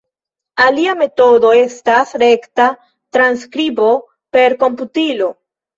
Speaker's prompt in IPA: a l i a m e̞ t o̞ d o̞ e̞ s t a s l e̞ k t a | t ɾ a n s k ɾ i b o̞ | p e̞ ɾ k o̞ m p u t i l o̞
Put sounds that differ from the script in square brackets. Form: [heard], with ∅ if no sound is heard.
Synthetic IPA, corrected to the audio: a l i a m e̞ t o̞ d o̞ e̞ s t a s [ɾ] e̞ k t a | t ɾ a n s k ɾ i b o̞ | p e̞ ɾ k o̞ m p u t i l o̞